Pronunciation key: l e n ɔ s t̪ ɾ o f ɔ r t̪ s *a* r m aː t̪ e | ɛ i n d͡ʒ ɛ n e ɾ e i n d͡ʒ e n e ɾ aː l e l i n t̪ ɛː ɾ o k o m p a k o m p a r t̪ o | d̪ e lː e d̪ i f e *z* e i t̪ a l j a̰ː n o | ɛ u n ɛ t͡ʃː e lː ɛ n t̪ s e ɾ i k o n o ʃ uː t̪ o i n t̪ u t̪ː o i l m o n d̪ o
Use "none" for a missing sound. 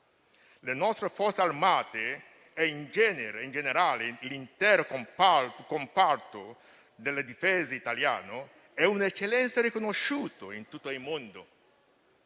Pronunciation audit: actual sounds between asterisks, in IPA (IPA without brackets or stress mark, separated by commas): a, z